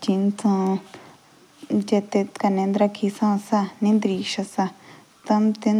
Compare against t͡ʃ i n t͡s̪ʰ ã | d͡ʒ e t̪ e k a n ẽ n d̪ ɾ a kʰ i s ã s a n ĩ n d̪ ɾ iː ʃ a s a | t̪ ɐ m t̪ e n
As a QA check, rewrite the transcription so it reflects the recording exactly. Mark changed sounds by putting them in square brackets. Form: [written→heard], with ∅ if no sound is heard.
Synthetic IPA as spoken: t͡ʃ i n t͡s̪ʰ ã | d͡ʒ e t̪ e k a n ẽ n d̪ ɾ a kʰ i s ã s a n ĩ n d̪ ɾ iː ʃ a s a | t̪ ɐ m t̪ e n

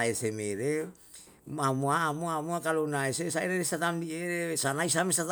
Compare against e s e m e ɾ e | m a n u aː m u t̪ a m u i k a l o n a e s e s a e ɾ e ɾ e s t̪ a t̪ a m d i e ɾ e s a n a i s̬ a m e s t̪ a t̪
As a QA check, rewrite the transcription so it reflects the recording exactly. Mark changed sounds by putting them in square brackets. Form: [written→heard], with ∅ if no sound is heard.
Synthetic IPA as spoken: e s e m e ɾ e | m a [n→m] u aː m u [t̪→∅] a m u [i→a] k a l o n a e s e s a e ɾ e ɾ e s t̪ a t̪ a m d i e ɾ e s a n a i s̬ a m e s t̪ a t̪

